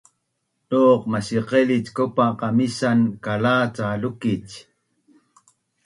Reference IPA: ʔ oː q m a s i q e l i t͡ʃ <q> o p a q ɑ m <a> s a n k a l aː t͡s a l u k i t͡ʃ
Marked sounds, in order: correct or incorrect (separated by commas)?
incorrect, incorrect